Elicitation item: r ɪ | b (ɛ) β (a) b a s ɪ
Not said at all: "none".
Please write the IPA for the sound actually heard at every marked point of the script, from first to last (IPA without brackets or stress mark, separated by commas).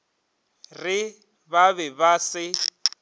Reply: a, ɛ